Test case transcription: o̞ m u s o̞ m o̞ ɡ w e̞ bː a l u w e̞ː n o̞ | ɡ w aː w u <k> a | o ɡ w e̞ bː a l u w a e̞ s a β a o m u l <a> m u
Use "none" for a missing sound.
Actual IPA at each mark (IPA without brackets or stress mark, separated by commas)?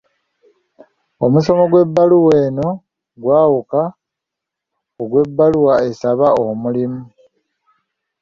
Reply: k, i